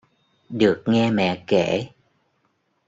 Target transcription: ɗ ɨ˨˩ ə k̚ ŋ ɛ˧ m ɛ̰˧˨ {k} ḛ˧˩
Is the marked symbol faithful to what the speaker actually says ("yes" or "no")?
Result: yes